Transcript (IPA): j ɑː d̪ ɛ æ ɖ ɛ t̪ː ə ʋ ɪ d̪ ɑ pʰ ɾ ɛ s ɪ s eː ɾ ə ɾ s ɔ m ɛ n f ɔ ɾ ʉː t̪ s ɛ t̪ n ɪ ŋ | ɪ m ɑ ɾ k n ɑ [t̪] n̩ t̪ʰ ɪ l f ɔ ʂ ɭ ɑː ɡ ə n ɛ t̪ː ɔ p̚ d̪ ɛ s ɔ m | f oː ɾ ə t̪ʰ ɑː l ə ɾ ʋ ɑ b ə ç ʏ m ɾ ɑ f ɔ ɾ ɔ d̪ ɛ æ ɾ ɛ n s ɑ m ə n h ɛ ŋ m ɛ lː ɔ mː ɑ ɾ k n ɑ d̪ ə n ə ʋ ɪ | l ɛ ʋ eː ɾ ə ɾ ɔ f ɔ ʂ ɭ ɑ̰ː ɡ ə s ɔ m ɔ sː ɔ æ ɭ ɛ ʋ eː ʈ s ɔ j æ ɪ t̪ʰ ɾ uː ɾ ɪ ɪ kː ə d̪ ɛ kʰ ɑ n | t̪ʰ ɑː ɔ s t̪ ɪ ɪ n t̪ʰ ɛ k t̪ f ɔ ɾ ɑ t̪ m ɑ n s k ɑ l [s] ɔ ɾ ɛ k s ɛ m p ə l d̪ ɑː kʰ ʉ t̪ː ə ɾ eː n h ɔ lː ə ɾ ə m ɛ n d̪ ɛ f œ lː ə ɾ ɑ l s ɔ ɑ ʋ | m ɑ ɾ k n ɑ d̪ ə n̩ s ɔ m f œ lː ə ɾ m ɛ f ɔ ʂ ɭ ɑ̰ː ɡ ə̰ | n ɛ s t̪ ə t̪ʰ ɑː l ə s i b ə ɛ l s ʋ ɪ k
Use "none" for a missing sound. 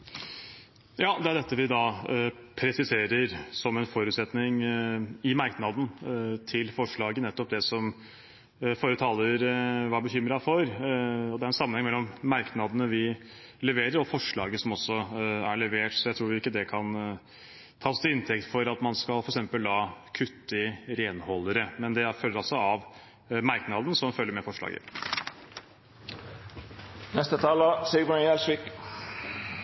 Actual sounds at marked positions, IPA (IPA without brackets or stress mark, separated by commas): d̪, f